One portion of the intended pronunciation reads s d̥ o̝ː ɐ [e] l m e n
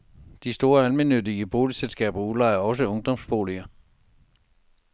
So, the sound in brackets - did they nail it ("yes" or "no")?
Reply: no